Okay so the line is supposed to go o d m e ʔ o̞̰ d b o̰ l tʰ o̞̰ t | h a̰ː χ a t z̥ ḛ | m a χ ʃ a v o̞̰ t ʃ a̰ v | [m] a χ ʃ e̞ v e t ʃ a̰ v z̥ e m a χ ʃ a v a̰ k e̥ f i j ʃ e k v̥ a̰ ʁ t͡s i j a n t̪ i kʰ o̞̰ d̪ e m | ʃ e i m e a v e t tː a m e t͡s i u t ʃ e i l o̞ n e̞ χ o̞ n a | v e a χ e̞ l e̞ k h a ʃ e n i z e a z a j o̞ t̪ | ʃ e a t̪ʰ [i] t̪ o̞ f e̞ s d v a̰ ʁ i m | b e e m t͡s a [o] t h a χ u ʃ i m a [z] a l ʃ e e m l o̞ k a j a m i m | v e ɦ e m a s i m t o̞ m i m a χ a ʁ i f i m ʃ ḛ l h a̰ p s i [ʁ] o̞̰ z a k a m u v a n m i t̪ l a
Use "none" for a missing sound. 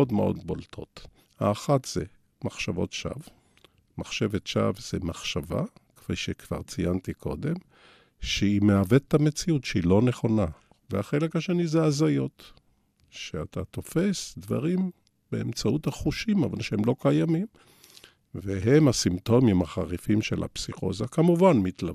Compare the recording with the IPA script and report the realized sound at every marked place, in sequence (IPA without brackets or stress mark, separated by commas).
m, a, u, v, χ